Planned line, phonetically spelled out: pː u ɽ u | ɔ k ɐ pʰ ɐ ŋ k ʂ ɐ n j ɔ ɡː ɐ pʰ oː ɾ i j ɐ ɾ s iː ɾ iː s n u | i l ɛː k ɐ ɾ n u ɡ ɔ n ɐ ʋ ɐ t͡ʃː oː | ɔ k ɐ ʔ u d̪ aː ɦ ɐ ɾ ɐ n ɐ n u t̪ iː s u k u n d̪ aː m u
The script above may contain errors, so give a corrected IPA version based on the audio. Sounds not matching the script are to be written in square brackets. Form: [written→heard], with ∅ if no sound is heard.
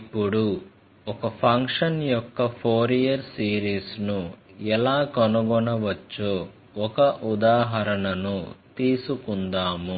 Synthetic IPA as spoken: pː u ɽ u | ɔ k ɐ pʰ ɐ ŋ k ʂ ɐ n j ɔ [ɡː→kː] ɐ pʰ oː ɾ i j ɐ ɾ s iː ɾ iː s n u | [i→ɛ] l [ɛː→aː] k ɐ [ɾ→∅] n u ɡ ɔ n ɐ ʋ ɐ t͡ʃː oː | ɔ k ɐ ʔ u d̪ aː ɦ ɐ ɾ ɐ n ɐ n u t̪ iː s u k u n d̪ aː m u